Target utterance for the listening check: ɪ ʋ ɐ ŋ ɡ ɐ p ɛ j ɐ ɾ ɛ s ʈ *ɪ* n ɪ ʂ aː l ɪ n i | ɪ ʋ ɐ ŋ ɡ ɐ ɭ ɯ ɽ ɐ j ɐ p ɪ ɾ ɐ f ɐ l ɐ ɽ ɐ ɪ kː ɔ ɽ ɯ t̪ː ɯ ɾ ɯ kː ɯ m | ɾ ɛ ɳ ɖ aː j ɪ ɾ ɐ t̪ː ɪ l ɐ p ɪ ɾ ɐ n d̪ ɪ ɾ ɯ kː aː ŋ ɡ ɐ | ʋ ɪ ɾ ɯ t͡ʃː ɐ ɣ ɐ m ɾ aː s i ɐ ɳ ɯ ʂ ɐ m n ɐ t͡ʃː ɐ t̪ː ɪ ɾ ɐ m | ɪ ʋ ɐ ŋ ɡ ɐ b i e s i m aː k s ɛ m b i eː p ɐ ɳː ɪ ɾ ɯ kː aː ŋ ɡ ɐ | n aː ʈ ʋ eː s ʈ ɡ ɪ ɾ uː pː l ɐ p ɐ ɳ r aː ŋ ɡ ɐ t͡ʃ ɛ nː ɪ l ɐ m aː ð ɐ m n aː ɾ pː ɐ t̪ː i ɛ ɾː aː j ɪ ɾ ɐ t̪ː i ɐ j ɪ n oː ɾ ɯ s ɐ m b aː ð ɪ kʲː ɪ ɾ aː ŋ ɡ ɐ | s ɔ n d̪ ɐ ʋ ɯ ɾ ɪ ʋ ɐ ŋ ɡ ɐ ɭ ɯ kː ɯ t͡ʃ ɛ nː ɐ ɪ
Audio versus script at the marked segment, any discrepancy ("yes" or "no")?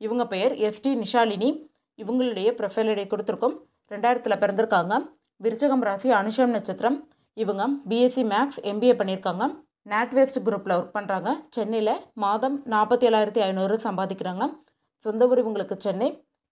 yes